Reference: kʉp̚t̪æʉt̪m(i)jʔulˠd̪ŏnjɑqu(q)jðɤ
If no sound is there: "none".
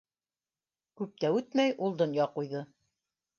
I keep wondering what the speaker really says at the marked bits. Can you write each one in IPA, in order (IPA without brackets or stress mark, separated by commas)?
æ, none